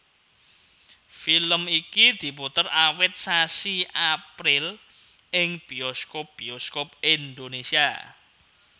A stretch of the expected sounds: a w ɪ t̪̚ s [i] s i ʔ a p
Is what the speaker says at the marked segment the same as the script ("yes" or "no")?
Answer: no